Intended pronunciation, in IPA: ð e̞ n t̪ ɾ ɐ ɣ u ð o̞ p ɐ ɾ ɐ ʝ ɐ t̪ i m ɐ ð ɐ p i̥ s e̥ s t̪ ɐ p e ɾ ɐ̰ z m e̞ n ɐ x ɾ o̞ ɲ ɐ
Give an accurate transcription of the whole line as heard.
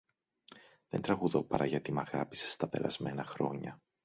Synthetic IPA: ð e̞ n t̪ ɾ ɐ ɣ u ð o̞ p ɐ ɾ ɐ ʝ ɐ t̪ i m ɐ ɣ ɐ p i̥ s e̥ s t̪ ɐ p e ɾ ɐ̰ z m e̞ n ɐ x ɾ o̞ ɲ ɐ